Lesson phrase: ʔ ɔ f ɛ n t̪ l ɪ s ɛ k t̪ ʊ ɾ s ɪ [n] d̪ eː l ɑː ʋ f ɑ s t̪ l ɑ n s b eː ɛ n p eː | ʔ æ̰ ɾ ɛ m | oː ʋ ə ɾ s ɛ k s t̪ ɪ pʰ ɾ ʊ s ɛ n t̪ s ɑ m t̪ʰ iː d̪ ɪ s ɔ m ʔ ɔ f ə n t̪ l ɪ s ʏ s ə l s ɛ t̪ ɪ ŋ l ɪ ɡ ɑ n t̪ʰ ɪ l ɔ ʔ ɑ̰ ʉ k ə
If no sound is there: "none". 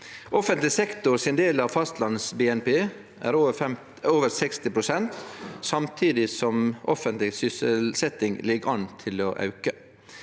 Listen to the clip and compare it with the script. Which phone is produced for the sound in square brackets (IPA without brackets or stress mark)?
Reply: n